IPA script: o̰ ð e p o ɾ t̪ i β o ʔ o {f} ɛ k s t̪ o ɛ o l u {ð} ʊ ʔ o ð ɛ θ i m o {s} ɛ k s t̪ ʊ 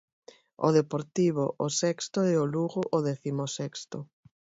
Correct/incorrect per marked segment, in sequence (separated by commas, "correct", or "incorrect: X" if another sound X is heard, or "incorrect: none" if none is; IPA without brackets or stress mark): incorrect: s, incorrect: ɣ, correct